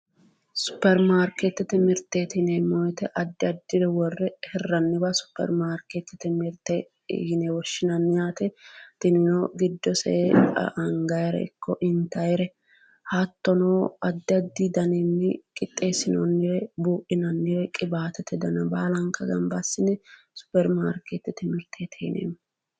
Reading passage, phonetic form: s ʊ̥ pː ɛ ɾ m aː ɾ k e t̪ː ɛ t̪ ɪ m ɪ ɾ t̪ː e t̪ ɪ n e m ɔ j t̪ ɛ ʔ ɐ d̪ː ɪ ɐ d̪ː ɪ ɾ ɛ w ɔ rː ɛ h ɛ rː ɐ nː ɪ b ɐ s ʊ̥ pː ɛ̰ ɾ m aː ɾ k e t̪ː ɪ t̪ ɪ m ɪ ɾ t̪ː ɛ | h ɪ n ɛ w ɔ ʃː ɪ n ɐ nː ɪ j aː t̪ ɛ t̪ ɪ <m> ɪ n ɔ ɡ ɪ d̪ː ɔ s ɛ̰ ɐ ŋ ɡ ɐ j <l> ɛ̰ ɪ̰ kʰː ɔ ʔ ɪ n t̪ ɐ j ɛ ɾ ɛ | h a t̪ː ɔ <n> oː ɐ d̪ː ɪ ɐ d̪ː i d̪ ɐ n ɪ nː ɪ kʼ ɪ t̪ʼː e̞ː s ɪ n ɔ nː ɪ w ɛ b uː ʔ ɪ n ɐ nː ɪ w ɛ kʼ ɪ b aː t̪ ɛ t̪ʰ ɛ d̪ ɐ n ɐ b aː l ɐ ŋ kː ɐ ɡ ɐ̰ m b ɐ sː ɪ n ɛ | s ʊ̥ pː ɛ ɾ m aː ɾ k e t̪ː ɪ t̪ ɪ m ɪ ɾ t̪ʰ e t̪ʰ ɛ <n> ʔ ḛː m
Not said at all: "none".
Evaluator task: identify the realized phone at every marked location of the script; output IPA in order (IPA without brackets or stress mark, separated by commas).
n, ɾ, n, n